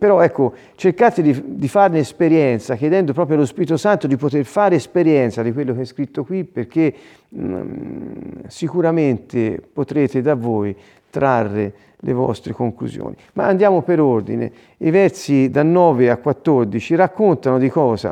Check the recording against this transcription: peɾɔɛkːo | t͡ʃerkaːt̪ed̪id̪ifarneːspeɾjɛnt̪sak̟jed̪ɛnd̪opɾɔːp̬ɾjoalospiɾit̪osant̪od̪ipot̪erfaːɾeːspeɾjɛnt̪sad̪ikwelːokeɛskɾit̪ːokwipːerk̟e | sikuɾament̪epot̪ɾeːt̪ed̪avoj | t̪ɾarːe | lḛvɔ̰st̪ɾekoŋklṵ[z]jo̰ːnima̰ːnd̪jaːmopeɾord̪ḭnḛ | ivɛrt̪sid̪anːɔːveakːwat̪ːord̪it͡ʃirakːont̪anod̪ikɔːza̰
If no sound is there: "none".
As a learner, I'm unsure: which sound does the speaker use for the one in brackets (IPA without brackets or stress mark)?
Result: z